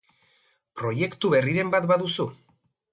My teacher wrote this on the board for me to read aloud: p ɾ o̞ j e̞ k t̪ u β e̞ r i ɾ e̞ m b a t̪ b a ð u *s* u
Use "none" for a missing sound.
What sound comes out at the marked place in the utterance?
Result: s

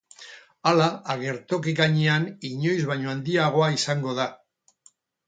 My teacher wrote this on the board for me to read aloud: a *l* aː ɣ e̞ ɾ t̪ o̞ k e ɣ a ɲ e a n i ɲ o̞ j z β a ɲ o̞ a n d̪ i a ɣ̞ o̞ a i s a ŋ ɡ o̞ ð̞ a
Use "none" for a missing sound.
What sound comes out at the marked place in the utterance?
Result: l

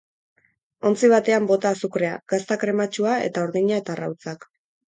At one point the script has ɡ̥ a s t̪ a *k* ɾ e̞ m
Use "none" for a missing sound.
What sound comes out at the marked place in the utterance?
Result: k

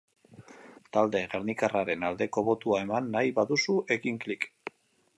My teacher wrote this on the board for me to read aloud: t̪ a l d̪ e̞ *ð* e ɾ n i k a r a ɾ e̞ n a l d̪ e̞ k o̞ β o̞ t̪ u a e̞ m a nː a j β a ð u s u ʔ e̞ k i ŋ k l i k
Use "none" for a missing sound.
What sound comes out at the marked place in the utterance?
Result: ɣ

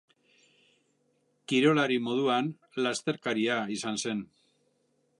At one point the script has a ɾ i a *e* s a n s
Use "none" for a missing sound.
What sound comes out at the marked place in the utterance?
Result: i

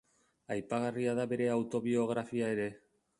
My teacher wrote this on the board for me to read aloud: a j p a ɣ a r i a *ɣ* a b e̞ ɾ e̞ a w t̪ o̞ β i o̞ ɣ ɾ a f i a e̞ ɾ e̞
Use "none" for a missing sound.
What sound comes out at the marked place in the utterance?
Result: ð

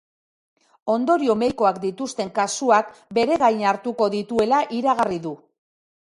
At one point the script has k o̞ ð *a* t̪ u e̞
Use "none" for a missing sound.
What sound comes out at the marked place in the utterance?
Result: i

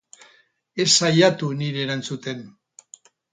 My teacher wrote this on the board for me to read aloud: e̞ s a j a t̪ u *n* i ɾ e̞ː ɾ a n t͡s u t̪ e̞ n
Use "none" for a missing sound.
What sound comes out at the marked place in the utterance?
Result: n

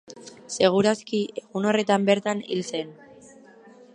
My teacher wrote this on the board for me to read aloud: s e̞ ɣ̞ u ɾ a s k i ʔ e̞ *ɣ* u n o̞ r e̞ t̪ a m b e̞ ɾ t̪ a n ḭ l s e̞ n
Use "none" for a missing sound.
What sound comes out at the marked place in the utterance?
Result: ɣ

